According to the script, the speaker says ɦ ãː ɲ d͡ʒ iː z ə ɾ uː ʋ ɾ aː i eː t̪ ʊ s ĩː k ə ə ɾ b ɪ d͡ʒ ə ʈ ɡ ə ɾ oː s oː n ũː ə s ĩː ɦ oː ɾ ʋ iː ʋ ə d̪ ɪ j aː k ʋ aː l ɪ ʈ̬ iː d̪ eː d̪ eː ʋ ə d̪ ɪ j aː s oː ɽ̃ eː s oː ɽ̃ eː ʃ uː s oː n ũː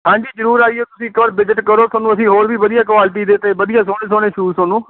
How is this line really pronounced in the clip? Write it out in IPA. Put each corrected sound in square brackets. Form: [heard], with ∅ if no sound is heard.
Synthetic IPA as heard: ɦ ãː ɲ d͡ʒ iː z ə ɾ uː [∅] ɾ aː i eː t̪ ʊ s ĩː k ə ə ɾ b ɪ d͡ʒ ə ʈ [k] ə ɾ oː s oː n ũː ə s ĩː ɦ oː ɾ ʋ iː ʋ ə d̪ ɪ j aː k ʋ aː l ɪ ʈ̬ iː d̪ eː [t̪] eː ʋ ə d̪ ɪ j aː s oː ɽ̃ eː s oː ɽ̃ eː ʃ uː s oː n ũː